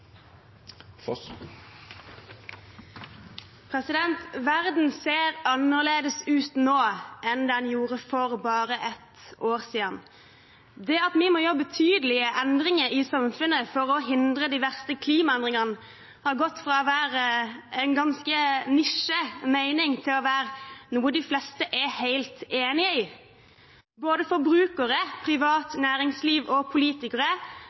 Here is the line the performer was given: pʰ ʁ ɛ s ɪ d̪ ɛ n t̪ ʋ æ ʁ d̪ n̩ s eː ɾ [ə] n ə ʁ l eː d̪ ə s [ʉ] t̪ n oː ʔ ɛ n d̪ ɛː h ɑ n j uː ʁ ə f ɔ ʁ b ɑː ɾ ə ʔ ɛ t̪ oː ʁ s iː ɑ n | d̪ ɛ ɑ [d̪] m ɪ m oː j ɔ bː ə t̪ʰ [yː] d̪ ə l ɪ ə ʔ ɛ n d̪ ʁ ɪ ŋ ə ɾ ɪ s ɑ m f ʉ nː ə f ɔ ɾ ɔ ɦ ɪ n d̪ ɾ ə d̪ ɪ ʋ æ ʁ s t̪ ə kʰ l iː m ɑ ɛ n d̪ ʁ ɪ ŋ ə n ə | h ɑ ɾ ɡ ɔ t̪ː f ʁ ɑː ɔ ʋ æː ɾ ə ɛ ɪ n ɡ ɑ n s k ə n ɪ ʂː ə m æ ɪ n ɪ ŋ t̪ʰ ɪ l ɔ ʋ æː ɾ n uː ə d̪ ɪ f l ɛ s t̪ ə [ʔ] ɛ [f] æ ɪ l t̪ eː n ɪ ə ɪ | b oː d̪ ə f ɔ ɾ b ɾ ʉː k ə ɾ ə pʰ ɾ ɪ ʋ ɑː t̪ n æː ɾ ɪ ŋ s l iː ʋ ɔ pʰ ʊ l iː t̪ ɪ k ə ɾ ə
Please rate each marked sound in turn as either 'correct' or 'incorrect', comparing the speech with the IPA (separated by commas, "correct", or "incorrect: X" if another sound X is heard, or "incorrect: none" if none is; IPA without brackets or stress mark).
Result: incorrect: ɑ, incorrect: ʉː, incorrect: t̪, correct, correct, incorrect: h